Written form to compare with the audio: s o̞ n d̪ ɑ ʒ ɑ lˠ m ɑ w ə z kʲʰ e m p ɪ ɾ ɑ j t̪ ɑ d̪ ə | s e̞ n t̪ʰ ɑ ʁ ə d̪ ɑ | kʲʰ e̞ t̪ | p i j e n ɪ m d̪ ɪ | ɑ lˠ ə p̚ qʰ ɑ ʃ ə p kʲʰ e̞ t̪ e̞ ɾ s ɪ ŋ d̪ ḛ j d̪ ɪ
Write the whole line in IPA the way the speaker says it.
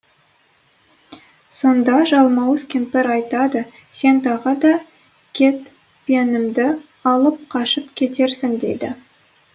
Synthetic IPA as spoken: s o̞ n d̪ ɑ ʒ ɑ lˠ m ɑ w ə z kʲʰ e m p ɪ ɾ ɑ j t̪ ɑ d̪ ə | s e̞ n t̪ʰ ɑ ʁ ə d̪ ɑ | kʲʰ e̞ t̪ | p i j e n ɪ m d̪ ɪ | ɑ lˠ ə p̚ qʰ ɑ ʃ ə p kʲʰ e̞ t̪ e̞ ɾ s ɪ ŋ d̪ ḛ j d̪ ɪ